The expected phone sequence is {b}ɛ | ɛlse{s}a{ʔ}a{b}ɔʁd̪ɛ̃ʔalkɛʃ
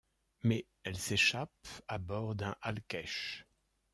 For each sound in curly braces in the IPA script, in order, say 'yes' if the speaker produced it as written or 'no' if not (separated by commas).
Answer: no, no, no, yes